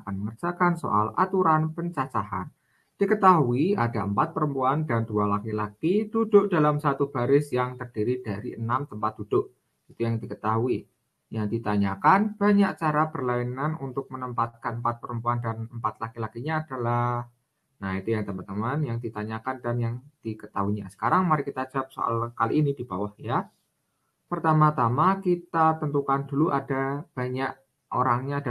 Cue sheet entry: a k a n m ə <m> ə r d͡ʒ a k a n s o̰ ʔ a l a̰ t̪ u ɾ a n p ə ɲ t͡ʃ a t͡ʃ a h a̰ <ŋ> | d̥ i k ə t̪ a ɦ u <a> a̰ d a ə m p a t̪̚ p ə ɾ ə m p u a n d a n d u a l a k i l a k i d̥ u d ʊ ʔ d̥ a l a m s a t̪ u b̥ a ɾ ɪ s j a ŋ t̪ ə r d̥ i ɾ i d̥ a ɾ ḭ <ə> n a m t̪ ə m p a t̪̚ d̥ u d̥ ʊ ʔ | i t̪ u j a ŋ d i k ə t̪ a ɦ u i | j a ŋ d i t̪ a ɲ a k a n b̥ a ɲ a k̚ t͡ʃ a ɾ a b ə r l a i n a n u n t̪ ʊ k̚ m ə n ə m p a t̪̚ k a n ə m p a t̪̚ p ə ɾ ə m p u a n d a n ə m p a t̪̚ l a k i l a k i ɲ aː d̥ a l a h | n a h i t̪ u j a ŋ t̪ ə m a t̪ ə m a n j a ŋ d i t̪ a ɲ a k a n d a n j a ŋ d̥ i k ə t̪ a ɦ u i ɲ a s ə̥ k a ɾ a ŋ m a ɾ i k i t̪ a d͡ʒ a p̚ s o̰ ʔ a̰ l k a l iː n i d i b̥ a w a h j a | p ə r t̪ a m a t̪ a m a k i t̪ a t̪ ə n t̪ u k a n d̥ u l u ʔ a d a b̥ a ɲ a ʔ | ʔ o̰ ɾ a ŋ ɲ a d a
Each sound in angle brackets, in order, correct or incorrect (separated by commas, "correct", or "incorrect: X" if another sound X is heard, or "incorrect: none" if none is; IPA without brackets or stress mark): incorrect: ŋ, incorrect: n, incorrect: i, correct